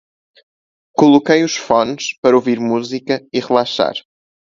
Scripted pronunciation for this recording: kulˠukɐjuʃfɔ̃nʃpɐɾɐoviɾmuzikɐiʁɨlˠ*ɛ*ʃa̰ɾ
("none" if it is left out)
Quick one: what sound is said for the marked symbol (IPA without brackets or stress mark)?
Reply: a